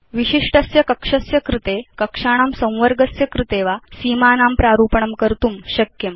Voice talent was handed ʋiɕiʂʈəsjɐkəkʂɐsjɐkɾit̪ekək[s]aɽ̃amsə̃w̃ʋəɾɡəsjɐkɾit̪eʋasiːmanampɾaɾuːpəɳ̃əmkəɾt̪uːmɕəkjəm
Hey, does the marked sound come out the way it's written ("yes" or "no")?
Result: no